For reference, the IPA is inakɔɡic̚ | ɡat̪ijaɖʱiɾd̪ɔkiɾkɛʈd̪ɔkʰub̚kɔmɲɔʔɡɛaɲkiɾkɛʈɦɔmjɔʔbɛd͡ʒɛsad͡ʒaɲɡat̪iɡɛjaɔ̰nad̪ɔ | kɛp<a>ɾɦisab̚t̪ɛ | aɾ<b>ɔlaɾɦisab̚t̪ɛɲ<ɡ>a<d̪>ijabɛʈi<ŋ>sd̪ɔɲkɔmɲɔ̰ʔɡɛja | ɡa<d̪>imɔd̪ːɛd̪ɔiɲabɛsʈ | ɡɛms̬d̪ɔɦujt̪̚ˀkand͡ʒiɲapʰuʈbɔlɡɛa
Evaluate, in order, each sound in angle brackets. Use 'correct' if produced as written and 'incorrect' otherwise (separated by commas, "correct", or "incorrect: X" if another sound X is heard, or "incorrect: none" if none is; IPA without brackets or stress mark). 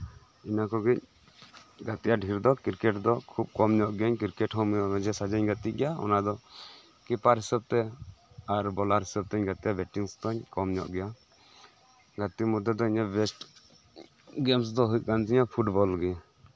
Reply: correct, correct, correct, incorrect: t̪, correct, incorrect: t̪